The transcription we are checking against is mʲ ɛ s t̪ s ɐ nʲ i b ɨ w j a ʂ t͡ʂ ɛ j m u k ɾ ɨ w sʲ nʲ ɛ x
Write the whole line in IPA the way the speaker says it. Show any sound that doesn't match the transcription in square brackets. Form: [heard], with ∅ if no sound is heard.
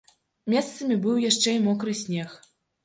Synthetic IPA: mʲ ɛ s t̪ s ɐ [mʲ] i b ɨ w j a ʂ t͡ʂ ɛ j m [ɔ] k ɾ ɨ [∅] sʲ nʲ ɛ x